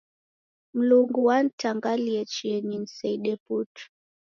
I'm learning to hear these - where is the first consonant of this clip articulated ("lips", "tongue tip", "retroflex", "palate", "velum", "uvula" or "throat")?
lips